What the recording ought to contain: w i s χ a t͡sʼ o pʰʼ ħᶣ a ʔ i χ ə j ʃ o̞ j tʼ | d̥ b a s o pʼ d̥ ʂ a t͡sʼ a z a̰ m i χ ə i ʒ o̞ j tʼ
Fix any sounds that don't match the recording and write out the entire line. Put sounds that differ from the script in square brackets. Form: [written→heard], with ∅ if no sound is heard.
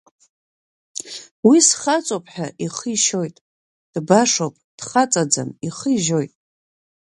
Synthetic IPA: w i s χ a t͡sʼ o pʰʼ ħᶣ a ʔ i χ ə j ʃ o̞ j tʼ | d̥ b a [s→ʂ] o pʼ d̥ [ʂ→χ] a t͡sʼ a [z→d͡z] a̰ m i χ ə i ʒ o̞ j tʼ